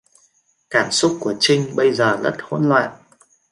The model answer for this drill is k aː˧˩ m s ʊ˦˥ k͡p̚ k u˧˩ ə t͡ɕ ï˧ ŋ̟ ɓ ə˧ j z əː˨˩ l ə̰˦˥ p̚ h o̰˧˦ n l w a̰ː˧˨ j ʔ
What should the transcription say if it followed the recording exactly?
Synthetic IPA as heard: k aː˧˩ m s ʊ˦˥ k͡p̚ k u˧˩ ə t͡ɕ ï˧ ŋ̟ ɓ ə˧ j z əː˨˩ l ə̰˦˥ t̚ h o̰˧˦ n l w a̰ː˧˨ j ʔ